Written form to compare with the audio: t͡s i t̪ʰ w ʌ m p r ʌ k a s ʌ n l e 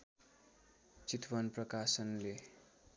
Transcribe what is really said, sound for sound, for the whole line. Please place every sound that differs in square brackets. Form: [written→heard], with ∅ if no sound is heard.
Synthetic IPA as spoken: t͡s i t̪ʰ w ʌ [m→n] p r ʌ k a s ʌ n l e